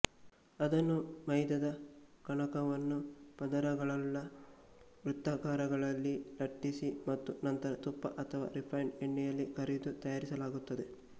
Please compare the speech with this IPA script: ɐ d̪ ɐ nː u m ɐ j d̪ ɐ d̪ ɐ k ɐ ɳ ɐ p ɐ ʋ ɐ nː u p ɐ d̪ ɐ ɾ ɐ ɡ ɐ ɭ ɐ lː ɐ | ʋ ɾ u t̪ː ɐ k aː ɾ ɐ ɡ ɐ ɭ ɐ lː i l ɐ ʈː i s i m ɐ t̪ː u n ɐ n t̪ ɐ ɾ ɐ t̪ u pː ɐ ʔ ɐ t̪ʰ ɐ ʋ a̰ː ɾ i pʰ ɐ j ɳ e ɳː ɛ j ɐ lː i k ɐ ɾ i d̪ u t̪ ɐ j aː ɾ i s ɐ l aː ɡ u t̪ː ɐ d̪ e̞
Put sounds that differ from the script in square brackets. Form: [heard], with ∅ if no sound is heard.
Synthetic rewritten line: ɐ d̪ ɐ nː u m ɐ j d̪ ɐ d̪ ɐ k ɐ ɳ ɐ [k] ɐ ʋ ɐ nː u p ɐ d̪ ɐ ɾ ɐ ɡ ɐ ɭ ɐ lː ɐ | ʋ ɾ u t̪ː ɐ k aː ɾ ɐ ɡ ɐ ɭ ɐ lː i l ɐ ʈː i s i m ɐ t̪ː u n ɐ n t̪ ɐ ɾ ɐ t̪ u pː ɐ ʔ ɐ t̪ʰ ɐ ʋ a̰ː ɾ i pʰ ɐ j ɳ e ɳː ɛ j ɐ lː i k ɐ ɾ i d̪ u t̪ ɐ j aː ɾ i s ɐ l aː ɡ u t̪ː ɐ d̪ e̞

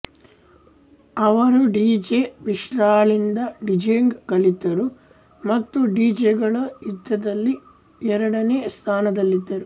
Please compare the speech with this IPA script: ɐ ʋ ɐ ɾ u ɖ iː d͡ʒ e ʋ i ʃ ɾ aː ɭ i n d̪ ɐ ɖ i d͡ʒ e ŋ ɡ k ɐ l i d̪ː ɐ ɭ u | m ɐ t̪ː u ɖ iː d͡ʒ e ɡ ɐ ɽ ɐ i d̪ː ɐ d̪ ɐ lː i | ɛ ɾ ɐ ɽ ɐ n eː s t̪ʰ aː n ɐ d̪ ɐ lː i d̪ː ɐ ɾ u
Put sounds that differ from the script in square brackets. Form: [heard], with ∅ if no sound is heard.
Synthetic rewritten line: ɐ ʋ ɐ ɾ u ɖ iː d͡ʒ e ʋ i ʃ ɾ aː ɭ i n d̪ ɐ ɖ i d͡ʒ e ŋ ɡ k ɐ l i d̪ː ɐ [ɾ] u | m ɐ t̪ː u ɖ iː d͡ʒ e ɡ ɐ [ɭ] ɐ i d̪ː ɐ d̪ ɐ lː i | ɛ ɾ ɐ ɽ ɐ n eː s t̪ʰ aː n ɐ d̪ ɐ lː i d̪ː ɐ ɾ u

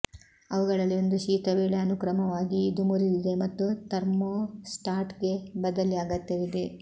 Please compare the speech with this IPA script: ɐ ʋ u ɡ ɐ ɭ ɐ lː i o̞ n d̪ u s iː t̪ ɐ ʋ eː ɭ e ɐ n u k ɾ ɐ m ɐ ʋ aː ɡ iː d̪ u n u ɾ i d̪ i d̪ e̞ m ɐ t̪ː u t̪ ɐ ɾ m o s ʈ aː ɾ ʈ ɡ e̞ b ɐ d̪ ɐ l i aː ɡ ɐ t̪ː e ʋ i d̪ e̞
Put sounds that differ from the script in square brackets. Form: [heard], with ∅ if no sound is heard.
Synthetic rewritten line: ɐ ʋ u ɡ ɐ ɭ ɐ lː i o̞ n d̪ u [ʃ] iː t̪ ɐ ʋ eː ɭ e ɐ n u k ɾ ɐ m ɐ ʋ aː ɡ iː d̪ u [m] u ɾ i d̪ i d̪ e̞ m ɐ t̪ː u t̪ ɐ ɾ m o s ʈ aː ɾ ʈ ɡ e̞ b ɐ d̪ ɐ l i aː ɡ ɐ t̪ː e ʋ i d̪ e̞

